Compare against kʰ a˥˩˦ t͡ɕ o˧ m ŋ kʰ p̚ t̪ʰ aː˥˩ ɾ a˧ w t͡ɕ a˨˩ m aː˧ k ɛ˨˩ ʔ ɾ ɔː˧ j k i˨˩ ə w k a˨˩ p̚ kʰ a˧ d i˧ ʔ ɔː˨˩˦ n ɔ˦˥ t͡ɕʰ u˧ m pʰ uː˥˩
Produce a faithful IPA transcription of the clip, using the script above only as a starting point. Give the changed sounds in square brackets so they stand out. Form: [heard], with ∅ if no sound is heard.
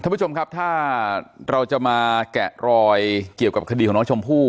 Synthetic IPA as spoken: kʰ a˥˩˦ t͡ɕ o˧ m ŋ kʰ p̚ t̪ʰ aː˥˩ ɾ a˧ w t͡ɕ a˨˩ m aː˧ k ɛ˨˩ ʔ ɾ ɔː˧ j k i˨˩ ə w k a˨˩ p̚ kʰ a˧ d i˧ [k] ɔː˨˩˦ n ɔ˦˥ t͡ɕʰ [o˧] m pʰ uː˥˩